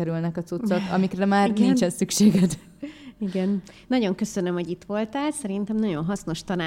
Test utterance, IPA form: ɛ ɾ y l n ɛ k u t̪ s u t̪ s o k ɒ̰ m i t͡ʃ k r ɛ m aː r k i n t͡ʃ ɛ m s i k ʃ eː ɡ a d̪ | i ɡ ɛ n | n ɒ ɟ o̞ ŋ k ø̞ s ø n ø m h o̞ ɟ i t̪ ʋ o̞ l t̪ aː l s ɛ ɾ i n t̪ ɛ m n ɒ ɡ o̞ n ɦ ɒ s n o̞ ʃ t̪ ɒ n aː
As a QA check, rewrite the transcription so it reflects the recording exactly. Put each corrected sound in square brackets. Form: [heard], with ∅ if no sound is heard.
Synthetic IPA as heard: ɛ ɾ y l n ɛ k [ɒ] t̪ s u t̪ s o k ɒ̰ m i [∅] k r ɛ m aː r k i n t͡ʃ ɛ [n] s [y] k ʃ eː ɡ [ɛ] d̪ | i ɡ ɛ n | n ɒ ɟ o̞ ŋ k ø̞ s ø n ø m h o̞ ɟ i t̪ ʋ o̞ l t̪ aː l s ɛ ɾ i n t̪ ɛ m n ɒ [ɟ] o̞ n ɦ ɒ s n o̞ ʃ t̪ ɒ n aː